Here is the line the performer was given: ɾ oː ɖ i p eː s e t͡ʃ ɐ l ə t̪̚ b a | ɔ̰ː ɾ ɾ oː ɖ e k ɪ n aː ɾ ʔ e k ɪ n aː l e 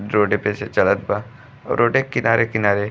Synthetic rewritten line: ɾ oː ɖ e p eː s e t͡ʃ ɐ l ə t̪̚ b a | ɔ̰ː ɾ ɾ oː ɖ e k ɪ n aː ɾ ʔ e k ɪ n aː ɾ e